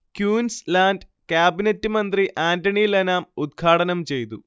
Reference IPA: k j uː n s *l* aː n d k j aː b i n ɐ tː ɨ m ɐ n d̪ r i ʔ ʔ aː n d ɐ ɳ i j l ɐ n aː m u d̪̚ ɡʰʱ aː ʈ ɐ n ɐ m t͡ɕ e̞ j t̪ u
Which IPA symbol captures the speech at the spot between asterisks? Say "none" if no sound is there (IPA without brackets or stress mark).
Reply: l